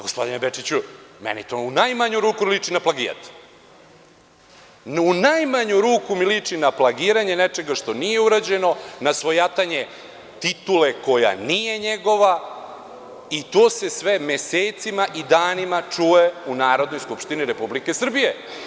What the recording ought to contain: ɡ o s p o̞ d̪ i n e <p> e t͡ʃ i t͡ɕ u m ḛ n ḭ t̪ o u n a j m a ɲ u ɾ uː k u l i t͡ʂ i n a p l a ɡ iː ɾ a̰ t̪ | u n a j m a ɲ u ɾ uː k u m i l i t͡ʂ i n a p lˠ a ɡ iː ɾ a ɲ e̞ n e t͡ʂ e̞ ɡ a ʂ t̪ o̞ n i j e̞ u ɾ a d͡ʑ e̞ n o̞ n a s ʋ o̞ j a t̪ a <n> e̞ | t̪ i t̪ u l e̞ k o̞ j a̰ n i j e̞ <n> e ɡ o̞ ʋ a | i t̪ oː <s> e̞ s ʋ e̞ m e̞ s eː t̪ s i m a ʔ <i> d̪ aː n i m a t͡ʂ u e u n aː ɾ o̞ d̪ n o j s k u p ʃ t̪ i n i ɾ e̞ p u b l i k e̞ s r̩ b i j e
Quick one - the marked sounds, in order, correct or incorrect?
incorrect: b, incorrect: ɲ, incorrect: ɲ, correct, correct

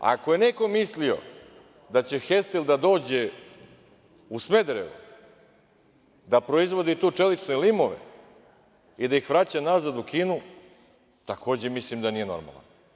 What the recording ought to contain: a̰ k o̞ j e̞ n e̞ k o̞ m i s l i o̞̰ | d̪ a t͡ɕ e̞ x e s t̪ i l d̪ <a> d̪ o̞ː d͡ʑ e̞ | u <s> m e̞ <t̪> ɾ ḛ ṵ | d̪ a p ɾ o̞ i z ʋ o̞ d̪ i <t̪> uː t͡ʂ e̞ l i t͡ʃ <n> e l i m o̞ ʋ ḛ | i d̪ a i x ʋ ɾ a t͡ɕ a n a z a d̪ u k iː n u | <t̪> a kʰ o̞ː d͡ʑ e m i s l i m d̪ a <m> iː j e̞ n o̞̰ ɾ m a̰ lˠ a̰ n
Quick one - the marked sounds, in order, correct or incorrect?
correct, correct, incorrect: d̪, correct, correct, correct, incorrect: n

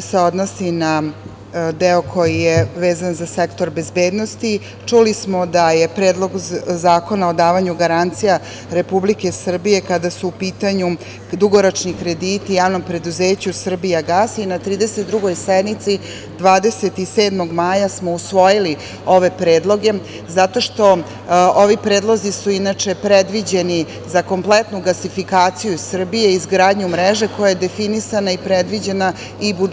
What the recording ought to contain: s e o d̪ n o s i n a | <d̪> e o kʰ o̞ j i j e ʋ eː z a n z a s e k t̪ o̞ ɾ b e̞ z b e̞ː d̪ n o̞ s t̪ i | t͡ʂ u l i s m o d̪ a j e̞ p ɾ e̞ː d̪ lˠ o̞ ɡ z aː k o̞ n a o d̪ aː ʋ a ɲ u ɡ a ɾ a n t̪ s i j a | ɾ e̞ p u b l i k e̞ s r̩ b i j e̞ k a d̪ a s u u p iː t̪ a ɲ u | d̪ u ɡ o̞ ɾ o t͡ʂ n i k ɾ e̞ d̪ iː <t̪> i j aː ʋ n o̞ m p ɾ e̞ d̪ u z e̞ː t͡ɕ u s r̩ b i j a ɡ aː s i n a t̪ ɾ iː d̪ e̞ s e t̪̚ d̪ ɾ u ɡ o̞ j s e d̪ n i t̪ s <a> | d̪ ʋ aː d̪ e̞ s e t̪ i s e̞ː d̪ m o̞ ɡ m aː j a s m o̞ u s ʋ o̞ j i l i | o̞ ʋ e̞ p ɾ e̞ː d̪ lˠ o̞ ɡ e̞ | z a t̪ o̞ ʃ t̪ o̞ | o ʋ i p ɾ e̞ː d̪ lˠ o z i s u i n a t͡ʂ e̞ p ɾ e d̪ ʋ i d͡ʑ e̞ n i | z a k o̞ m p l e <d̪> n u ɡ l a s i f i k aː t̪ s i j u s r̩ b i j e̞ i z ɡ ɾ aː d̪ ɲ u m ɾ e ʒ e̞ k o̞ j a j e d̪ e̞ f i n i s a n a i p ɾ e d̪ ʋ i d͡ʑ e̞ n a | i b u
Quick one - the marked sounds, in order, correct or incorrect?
correct, correct, incorrect: i, incorrect: t̪

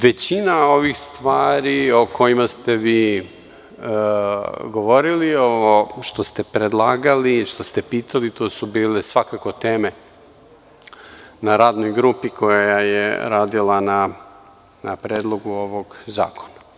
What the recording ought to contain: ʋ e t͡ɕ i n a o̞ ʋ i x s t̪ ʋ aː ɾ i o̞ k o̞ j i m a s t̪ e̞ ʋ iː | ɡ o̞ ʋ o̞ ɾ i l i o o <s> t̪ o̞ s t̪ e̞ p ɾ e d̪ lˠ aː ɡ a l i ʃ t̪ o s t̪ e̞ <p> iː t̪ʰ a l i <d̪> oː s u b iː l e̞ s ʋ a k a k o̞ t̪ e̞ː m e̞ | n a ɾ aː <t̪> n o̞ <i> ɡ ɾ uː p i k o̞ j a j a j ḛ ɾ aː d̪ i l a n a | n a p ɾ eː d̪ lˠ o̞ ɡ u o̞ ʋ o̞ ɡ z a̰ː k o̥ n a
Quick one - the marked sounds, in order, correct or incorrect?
incorrect: ʃ, correct, incorrect: t̪, incorrect: d̪, incorrect: j

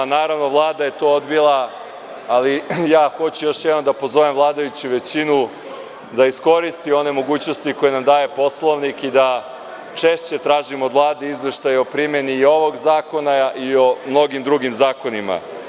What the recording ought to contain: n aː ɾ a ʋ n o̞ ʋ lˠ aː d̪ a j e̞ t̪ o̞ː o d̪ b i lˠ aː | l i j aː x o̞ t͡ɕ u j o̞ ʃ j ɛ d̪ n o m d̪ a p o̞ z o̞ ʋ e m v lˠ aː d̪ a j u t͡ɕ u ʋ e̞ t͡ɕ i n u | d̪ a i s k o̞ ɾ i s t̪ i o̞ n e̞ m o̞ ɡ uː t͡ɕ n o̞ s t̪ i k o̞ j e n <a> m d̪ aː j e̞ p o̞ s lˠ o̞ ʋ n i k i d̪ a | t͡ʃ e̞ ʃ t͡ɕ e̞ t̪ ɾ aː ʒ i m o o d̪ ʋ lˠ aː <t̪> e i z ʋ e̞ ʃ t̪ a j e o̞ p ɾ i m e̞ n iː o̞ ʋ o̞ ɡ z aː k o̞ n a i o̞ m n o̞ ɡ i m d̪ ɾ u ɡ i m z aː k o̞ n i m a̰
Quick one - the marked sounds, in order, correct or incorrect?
correct, incorrect: d̪

